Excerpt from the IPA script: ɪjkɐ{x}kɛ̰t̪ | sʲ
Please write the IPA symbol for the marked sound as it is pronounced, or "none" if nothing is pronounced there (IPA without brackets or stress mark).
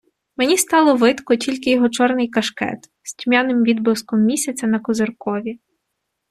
ʃ